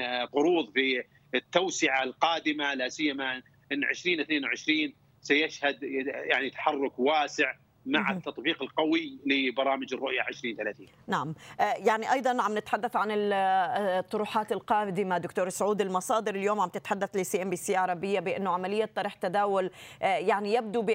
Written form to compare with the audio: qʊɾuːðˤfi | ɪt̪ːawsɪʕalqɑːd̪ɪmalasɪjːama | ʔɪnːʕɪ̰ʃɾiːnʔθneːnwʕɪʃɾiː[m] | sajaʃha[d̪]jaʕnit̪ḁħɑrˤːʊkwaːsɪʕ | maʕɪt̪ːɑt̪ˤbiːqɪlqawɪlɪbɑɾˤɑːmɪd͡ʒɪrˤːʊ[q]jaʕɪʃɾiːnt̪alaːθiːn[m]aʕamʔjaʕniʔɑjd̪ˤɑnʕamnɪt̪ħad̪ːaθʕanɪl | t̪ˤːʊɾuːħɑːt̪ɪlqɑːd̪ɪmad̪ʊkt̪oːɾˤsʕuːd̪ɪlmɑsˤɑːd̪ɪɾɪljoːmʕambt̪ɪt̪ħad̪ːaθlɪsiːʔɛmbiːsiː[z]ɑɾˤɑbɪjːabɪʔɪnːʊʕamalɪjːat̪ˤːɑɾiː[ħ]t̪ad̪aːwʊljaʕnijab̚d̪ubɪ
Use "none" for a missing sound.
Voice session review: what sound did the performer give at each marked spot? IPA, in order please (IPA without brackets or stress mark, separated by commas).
n, d̪, ʔ, n, ʕ, ħ